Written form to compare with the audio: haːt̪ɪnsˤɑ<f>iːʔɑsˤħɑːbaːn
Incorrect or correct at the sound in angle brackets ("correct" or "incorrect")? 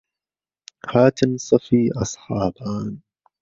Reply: correct